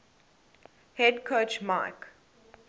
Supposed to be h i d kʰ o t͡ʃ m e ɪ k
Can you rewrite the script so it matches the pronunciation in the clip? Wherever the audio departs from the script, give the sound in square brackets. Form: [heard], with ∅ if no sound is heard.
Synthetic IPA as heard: h [ɛ] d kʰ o t͡ʃ m [a] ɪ k